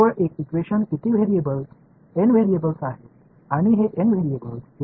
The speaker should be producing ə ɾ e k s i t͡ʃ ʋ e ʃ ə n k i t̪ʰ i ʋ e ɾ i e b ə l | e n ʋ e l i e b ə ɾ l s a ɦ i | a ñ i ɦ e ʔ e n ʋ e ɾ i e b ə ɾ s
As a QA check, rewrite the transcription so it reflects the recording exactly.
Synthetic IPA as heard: ə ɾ e k s i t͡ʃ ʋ e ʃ ə n k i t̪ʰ i ʋ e ɾ i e b ə l | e n ʋ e ɾ i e b ə l s a ɦ e | a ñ i ɦ e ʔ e n ʋ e ɾ i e b ə l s